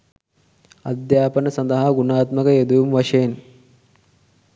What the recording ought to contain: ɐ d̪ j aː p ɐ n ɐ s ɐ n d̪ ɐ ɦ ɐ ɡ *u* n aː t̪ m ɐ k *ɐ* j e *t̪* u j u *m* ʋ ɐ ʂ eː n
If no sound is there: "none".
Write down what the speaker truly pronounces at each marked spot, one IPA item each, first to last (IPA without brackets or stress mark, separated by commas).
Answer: u, ɐ, d̪, m